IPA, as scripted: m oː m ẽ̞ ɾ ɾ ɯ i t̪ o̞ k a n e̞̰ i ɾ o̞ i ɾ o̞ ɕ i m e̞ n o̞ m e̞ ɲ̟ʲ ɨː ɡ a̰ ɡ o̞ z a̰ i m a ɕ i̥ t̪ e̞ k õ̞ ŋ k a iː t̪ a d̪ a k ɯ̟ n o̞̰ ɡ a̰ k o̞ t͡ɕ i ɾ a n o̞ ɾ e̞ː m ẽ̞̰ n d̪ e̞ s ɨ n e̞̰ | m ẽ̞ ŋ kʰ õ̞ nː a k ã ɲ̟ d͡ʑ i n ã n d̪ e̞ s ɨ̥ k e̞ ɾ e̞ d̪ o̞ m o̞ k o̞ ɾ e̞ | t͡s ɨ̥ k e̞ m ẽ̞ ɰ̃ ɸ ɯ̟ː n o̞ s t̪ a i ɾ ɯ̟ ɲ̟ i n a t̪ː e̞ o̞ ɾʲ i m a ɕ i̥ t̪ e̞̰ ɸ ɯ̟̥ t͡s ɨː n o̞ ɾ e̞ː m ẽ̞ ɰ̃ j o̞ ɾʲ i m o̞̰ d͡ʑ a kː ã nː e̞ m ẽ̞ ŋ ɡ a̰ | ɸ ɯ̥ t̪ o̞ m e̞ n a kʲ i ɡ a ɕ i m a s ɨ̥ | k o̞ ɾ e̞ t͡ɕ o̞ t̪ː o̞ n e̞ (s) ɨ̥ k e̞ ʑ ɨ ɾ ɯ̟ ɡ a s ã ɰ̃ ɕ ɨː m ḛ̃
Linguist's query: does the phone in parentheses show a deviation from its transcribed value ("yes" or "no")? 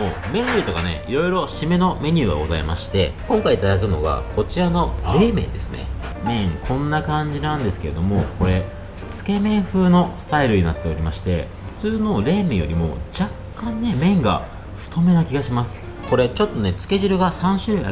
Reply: yes